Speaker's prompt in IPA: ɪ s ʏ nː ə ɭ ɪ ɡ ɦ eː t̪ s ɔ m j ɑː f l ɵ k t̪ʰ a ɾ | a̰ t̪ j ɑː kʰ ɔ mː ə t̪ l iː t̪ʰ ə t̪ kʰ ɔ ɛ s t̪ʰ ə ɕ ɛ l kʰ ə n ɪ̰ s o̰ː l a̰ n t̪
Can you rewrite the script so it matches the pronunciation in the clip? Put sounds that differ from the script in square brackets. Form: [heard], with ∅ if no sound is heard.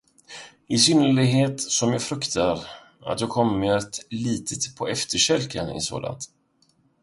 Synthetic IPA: ɪ s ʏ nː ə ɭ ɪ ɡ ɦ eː t̪ s ɔ m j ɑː f [ɾ] ɵ k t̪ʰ a ɾ | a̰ t̪ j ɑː kʰ ɔ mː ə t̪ l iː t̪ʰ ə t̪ [pʰ] ɔ ɛ [f] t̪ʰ ə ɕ ɛ l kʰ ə n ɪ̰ s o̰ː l a̰ n t̪